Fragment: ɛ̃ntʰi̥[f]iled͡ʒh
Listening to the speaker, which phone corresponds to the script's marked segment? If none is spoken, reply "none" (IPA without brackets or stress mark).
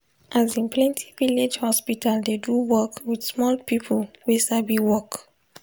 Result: v